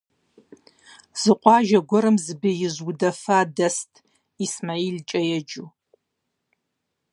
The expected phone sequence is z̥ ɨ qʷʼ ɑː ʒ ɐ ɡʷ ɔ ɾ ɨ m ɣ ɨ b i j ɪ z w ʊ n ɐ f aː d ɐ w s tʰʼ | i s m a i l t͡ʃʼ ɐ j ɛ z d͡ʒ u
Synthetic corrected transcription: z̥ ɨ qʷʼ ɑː ʒ ɐ ɡʷ ɔ ɾ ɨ m z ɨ b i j ɪ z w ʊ d ɐ f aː d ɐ s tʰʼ | i s m a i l t͡ʃʼ ɐ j ɛ d͡ʒ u